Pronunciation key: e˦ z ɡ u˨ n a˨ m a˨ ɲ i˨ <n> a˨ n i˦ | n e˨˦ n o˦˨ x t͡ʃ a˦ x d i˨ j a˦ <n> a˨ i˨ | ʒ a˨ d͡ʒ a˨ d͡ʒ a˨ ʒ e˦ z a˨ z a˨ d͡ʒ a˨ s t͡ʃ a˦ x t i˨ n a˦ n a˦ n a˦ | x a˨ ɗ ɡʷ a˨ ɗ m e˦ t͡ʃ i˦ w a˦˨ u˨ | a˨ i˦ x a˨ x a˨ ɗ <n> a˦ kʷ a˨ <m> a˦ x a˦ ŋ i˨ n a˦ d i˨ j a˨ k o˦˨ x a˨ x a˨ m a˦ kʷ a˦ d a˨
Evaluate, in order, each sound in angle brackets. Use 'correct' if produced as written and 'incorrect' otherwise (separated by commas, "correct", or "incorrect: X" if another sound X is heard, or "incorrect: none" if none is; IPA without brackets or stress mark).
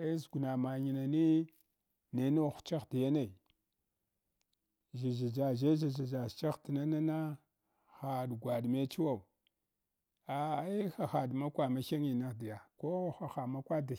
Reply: correct, correct, incorrect: m, correct